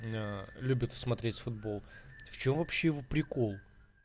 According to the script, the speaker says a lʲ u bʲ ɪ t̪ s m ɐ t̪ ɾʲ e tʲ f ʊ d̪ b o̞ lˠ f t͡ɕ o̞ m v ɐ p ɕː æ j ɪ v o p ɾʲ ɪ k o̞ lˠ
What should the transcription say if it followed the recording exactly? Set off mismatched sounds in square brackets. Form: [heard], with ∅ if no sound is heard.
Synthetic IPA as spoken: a lʲ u bʲ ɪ t̪ s m ɐ t̪ ɾʲ e tʲ f ʊ d̪ b o̞ lˠ f t͡ɕ o̞ m v ɐ p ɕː [e] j ɪ v o p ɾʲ ɪ k o̞ lˠ